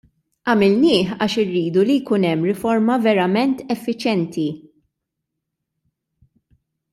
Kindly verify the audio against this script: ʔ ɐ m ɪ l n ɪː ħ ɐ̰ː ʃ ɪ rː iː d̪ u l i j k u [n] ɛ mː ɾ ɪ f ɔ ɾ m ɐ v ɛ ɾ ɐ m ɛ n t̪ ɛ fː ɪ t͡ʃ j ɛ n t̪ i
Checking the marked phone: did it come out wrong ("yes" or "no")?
no